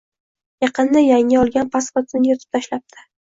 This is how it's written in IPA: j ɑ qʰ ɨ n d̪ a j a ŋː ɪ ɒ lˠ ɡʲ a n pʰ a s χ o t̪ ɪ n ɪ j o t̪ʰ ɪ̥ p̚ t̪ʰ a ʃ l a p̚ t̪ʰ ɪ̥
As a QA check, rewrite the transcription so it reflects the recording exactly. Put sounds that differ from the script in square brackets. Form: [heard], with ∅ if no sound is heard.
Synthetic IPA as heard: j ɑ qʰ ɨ n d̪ a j a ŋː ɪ ɒ lˠ ɡʲ a n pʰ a s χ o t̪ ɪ n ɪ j [ɒ] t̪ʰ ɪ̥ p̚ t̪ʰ a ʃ l a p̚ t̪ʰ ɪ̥